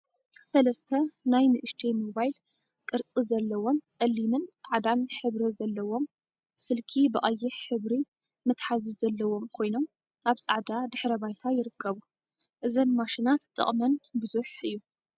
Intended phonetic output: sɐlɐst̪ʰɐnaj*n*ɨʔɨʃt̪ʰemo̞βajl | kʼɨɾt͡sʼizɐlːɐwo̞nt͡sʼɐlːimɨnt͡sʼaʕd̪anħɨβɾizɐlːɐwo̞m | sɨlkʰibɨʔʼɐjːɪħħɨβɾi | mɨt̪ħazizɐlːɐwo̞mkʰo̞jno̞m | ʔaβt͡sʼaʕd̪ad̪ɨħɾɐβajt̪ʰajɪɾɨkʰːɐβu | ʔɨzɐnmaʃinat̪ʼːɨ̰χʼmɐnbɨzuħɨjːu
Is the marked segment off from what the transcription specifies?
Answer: no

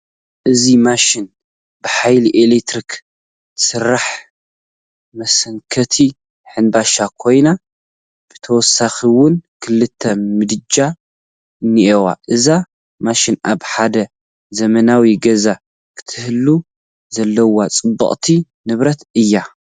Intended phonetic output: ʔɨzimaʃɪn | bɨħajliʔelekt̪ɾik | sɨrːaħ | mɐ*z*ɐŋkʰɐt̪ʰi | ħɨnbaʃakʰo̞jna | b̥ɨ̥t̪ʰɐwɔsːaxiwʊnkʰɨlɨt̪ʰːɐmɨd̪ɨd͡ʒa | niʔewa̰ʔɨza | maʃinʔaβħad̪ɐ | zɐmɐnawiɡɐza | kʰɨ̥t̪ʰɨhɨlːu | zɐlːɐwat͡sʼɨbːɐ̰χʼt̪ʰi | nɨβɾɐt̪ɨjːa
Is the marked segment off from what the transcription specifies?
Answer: yes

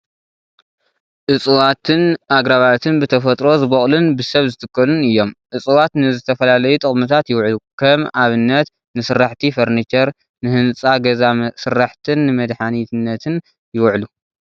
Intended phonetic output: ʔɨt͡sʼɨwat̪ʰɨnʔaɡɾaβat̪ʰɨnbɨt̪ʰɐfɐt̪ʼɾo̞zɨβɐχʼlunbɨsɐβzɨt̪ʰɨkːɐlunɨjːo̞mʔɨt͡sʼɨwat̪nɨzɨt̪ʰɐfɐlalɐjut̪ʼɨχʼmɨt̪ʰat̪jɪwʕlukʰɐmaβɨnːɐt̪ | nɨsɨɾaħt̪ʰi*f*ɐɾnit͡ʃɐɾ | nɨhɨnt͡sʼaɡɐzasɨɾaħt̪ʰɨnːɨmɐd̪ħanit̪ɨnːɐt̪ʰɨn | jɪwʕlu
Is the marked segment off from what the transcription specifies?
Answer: no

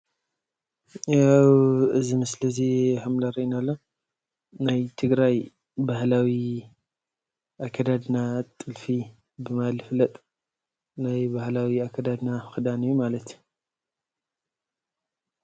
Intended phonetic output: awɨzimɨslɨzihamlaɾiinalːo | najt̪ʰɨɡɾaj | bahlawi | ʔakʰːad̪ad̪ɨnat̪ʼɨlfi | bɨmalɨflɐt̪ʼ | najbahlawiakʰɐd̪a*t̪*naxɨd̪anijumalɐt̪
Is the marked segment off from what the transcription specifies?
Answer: yes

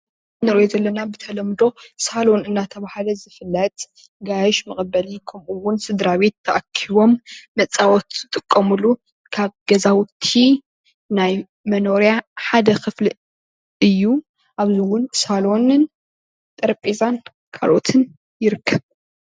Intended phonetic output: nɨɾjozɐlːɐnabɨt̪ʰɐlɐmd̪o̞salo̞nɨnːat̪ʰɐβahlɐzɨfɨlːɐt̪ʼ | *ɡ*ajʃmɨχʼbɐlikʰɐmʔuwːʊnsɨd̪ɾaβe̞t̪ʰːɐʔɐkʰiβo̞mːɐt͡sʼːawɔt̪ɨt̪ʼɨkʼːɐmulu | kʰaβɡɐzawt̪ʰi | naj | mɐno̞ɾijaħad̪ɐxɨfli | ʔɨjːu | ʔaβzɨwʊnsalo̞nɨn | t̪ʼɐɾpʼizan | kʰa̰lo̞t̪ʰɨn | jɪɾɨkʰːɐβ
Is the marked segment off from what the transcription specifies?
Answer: no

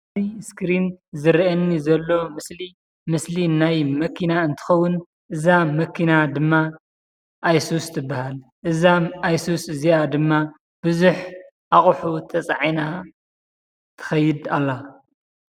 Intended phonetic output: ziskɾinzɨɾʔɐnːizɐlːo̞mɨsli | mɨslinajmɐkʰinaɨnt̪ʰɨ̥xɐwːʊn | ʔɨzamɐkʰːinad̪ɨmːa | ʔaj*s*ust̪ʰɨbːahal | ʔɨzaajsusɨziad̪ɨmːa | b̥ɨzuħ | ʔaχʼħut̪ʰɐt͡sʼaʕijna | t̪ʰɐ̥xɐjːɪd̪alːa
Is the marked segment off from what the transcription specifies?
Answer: no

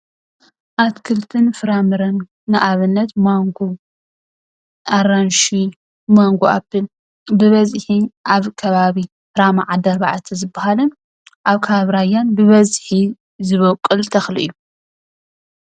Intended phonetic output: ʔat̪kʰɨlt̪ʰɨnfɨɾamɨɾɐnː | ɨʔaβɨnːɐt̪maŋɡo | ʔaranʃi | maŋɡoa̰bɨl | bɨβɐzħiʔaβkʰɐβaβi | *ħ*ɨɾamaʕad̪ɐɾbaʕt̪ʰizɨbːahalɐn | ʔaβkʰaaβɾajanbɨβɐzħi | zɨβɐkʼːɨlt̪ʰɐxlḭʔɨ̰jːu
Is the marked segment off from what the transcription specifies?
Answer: yes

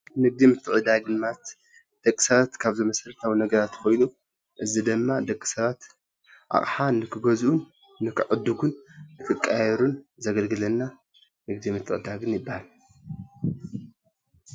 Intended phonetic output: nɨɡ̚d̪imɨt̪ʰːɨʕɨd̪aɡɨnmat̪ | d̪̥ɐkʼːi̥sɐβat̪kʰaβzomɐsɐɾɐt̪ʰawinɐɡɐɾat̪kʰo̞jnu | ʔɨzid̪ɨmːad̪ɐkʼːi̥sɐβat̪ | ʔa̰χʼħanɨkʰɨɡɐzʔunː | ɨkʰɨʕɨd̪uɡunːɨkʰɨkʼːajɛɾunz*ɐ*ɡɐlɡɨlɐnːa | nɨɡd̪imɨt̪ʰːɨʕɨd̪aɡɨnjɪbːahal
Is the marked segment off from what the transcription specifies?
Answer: no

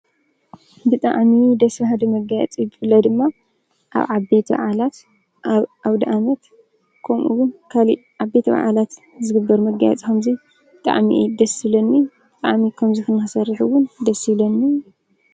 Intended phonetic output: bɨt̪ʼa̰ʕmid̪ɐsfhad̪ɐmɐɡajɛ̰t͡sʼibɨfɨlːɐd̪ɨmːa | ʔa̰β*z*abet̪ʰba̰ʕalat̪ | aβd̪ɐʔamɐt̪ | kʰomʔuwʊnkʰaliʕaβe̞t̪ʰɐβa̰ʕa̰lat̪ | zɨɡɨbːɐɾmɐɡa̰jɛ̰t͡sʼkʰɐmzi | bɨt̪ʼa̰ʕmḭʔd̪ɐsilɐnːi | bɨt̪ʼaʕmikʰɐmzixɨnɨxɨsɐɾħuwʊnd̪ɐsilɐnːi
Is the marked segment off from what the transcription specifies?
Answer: yes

